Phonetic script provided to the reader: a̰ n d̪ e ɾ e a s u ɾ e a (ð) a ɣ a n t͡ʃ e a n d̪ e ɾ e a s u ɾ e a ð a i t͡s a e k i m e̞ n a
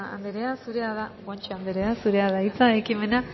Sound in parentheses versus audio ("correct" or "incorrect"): correct